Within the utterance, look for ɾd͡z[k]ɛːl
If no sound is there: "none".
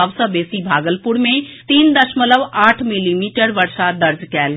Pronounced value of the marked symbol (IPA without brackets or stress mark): k